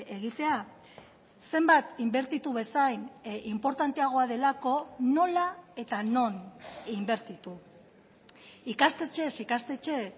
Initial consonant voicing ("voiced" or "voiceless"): voiced